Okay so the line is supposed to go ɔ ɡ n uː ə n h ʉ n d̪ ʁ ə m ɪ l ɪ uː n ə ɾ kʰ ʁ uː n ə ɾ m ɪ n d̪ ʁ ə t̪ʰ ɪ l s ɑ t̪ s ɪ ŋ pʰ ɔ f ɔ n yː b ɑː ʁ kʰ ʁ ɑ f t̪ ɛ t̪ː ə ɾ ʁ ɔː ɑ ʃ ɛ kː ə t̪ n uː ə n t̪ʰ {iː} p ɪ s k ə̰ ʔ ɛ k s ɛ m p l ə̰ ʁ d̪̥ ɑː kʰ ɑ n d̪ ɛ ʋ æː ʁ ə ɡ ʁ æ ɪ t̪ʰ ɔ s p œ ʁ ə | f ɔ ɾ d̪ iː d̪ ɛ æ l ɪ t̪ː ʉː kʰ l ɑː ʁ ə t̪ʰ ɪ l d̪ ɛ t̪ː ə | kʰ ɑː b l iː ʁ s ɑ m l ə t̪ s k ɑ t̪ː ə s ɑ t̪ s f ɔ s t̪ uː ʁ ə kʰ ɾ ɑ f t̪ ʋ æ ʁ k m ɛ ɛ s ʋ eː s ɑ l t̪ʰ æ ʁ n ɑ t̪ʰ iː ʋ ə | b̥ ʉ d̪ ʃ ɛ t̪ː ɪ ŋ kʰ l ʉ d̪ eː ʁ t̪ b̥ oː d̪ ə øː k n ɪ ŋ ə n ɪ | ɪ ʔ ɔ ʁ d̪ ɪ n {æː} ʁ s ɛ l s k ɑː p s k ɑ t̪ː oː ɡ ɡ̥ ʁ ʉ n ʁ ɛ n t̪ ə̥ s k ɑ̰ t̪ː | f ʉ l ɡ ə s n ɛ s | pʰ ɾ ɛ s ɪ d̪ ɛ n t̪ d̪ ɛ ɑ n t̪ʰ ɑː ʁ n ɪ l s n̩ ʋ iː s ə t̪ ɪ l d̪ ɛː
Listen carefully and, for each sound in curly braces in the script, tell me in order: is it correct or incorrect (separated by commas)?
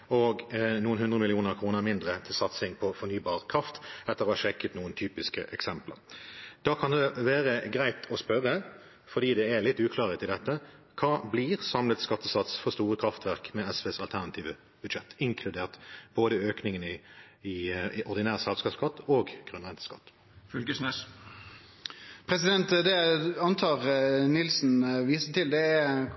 incorrect, correct